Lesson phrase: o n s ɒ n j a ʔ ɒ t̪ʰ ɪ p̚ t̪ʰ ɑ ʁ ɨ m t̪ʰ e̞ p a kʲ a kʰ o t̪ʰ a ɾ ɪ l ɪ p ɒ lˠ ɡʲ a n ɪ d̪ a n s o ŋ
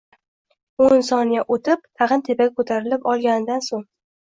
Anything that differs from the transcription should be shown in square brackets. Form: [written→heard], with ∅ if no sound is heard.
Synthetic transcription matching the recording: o n s ɒ n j a ʔ [ɒ→o] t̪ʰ ɪ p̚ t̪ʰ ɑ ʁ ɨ [m→n] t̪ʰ e̞ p a [kʲ→ɡʲ] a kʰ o t̪ʰ a ɾ ɪ l ɪ p ɒ lˠ ɡʲ a n ɪ d̪ a n s o ŋ